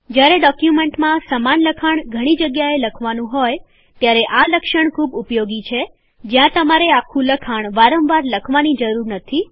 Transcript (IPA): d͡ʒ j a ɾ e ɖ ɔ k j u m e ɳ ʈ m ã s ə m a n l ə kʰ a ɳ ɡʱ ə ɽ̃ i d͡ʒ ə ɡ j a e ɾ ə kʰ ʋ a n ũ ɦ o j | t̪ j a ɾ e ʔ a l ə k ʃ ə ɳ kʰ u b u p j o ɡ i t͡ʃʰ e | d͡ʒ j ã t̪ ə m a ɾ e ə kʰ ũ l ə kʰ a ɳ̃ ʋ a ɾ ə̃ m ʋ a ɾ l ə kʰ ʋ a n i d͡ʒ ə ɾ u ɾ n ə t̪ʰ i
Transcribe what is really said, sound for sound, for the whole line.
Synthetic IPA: d͡ʒ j a ɾ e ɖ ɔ k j u m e ɳ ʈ m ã s ə m a n l ə kʰ a ɳ ɡʱ ə ɽ̃ i d͡ʒ ə ɡ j a e l ə kʰ ʋ a n ũ ɦ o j | t̪ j a ɾ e ʔ a l ə k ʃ ə ɳ kʰ u b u p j o ɡ i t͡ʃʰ e | d͡ʒ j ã t̪ ə m a ɾ e a kʰ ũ l ə kʰ a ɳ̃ ʋ a ɾ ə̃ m ʋ a ɾ l ə kʰ ʋ a n i d͡ʒ ə ɾ u ɾ n ə t̪ʰ i